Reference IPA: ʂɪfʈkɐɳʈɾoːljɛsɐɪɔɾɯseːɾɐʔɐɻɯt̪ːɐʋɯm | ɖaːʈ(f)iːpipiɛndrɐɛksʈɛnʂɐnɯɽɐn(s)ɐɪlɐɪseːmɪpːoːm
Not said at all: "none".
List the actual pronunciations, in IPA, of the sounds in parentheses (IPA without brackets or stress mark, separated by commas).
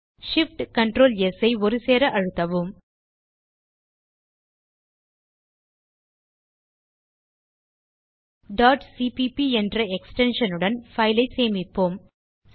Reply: s, f